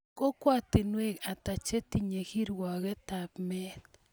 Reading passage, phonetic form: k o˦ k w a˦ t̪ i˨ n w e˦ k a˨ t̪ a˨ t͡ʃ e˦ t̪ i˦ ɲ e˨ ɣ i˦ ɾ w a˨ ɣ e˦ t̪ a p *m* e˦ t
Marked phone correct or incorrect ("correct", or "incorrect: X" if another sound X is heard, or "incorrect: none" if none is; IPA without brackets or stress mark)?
correct